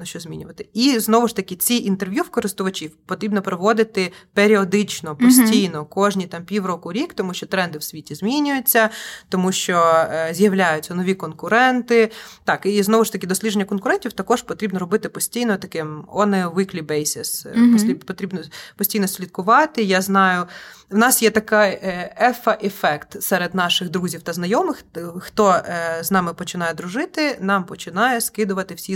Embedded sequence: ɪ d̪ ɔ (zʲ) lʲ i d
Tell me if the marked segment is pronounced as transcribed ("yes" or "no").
no